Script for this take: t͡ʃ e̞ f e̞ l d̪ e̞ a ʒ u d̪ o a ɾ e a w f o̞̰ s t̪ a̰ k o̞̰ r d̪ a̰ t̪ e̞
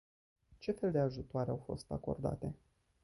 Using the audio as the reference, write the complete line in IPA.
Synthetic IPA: t͡ʃ e̞ f e̞ l d̪ e̞ a ʒ u t̪ o a ɾ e a w f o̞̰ s t̪ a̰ k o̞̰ r d̪ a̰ t̪ e̞